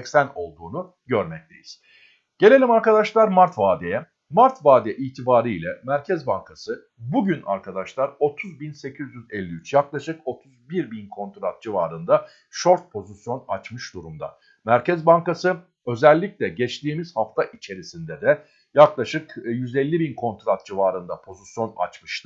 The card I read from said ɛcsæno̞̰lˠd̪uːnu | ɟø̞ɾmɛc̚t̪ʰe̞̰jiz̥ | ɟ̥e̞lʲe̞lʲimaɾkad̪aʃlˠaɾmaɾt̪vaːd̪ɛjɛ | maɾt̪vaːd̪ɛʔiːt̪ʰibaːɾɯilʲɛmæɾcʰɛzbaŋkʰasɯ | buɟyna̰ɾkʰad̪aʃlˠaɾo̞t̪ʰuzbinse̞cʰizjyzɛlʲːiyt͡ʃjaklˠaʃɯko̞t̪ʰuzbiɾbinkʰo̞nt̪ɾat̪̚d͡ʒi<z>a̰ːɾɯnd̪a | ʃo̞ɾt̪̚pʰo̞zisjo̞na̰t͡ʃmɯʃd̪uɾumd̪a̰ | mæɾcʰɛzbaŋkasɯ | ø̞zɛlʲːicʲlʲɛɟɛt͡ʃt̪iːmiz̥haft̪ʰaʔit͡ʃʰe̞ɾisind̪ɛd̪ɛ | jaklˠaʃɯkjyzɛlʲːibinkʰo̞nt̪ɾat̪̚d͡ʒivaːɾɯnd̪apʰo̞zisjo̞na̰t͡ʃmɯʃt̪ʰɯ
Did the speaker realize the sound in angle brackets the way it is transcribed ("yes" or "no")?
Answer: no